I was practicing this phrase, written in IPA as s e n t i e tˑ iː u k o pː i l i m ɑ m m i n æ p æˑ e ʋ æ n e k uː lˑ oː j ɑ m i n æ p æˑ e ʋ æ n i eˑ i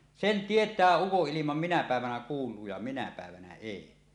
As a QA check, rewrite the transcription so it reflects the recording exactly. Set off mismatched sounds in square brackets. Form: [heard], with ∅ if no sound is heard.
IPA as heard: s e n t i e tˑ [æː] u k o [ʔː] i l i m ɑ m m i n æ p æˑ e ʋ æ n [æ] k uː lˑ [uː] j ɑ m i n æ p æˑ e ʋ æ n [æ] eˑ i